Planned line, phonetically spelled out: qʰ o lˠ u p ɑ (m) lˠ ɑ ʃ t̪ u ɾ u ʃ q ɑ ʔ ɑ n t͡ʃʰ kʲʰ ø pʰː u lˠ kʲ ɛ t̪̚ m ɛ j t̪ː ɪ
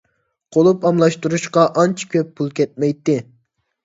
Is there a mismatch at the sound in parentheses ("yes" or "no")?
no